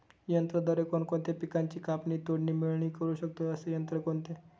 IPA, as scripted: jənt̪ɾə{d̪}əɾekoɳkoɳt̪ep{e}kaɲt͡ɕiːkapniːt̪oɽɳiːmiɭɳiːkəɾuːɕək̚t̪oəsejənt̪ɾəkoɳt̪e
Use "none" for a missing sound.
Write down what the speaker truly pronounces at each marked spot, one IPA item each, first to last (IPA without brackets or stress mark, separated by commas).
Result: d̪, i